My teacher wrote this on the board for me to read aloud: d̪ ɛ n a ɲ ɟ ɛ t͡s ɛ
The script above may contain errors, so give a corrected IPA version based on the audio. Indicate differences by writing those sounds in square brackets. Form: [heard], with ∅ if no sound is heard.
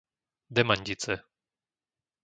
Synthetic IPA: d̪ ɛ [m] a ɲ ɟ [i] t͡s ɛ

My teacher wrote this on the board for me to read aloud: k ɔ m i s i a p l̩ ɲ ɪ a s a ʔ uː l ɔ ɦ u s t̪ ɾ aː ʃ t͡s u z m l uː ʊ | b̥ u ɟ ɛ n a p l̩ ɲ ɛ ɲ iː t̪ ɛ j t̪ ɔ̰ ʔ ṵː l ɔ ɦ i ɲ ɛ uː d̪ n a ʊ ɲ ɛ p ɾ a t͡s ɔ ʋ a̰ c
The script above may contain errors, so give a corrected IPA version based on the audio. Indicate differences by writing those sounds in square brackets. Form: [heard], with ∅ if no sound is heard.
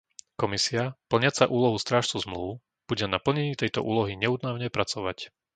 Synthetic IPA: k ɔ m i s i a p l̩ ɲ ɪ a [t͡s] a ʔ uː l ɔ ɦ u s t̪ ɾ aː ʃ t͡s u z m l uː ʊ | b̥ u ɟ ɛ n a p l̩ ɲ ɛ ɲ iː t̪ ɛ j t̪ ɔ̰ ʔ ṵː l ɔ ɦ i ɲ ɛ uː d̪ n a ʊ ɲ ɛ p ɾ a t͡s ɔ ʋ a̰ c

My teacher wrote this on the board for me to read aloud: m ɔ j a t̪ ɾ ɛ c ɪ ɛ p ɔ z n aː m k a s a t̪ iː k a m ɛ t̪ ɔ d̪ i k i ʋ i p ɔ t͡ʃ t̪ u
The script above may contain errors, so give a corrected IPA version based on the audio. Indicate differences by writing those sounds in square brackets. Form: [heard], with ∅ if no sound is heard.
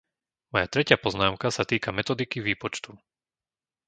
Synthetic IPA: m ɔ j a t̪ ɾ ɛ c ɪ [a] p ɔ z n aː m k a s a t̪ iː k a m ɛ t̪ ɔ d̪ i k i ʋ [iː] p ɔ t͡ʃ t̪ u

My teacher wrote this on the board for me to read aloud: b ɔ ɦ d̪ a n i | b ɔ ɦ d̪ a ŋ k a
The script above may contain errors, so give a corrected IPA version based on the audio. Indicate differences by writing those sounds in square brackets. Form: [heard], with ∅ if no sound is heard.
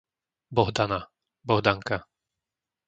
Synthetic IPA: b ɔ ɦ d̪ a n [a] | b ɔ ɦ d̪ a ŋ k a

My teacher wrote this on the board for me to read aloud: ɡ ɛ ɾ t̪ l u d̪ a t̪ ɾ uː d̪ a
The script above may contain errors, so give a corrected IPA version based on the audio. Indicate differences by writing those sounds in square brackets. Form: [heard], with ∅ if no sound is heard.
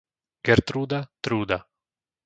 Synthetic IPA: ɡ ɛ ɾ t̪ [ɾ] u d̪ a t̪ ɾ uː d̪ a

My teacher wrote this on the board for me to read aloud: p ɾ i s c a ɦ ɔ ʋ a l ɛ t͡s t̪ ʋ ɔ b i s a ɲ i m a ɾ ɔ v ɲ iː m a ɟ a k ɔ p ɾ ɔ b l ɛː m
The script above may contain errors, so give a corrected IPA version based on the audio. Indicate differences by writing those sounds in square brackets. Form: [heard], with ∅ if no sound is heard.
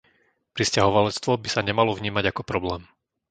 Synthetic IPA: p ɾ i s c a ɦ ɔ ʋ a l ɛ t͡s t̪ ʋ ɔ b i s a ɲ [ɛ] m a [l] ɔ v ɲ iː m a ɟ a k ɔ p ɾ ɔ b l ɛː m

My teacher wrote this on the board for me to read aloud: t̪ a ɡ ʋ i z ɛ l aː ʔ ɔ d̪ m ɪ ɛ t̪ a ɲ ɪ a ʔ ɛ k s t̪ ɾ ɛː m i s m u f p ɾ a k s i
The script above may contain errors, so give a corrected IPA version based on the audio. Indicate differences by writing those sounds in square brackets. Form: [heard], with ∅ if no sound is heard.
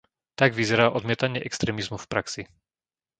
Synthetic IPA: t̪ a ɡ ʋ i z ɛ [ɾ] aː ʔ ɔ d̪ m ɪ ɛ t̪ a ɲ ɪ [ɛ] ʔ ɛ k s t̪ ɾ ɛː m i [z] m u f p ɾ a k s i

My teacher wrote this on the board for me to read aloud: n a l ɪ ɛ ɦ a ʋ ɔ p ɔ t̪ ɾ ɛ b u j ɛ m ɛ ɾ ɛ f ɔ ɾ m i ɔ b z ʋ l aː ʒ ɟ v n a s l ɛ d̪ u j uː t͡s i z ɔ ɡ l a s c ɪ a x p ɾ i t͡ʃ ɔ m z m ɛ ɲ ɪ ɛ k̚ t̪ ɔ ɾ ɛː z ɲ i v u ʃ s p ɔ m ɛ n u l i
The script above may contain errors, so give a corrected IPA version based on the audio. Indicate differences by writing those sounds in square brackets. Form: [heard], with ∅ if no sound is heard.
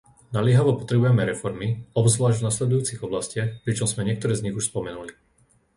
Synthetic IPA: n a l ɪ ɛ ɦ a ʋ ɔ p ɔ t̪ ɾ ɛ b u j ɛ m ɛ ɾ ɛ f ɔ ɾ m i ɔ b z ʋ l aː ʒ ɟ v n a s l ɛ d̪ u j uː t͡s i [ɣ] ɔ [b] l a s c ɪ a x p ɾ i t͡ʃ ɔ m z m ɛ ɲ ɪ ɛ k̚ t̪ ɔ ɾ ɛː z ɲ i [ɣ] u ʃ s p ɔ m ɛ n u l i

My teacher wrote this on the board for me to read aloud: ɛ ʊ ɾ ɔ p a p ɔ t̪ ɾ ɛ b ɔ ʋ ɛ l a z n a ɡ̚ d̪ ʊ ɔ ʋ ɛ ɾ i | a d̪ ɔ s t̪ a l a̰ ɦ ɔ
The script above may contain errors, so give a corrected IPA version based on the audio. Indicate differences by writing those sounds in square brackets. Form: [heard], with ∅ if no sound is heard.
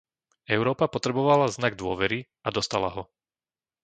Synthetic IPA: ɛ ʊ ɾ [ɔː] p a p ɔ t̪ ɾ ɛ b ɔ ʋ [a] l a z n a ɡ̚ d̪ ʊ ɔ ʋ ɛ ɾ i | a d̪ ɔ s t̪ a l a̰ ɦ ɔ

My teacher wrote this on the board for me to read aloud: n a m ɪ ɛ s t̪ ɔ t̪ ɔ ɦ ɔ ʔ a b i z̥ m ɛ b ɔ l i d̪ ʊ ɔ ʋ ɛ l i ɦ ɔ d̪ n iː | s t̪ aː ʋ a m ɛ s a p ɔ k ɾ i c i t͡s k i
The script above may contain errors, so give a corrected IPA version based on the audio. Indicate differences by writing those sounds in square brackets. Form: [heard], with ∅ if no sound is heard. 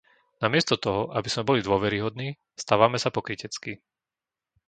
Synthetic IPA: n a m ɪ ɛ s t̪ ɔ t̪ ɔ ɦ ɔ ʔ a b i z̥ m ɛ b ɔ l i d̪ ʊ ɔ ʋ ɛ [ɾ] i ɦ ɔ d̪ n iː | s t̪ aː ʋ a m ɛ s a p ɔ k ɾ i c [ɛ] t͡s k i

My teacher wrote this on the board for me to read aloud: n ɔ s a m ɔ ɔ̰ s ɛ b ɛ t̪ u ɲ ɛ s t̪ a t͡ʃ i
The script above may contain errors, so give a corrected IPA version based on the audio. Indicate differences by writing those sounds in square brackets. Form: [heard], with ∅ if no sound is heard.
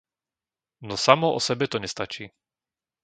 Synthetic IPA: n ɔ s a m ɔ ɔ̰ s ɛ b ɛ t̪ [ɔ] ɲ ɛ s t̪ a t͡ʃ [iː]

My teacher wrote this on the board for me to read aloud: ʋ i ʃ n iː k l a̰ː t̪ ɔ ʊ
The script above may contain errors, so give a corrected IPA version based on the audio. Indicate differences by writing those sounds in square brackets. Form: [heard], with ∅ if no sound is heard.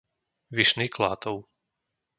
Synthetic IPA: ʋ i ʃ n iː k l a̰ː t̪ ɔ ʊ

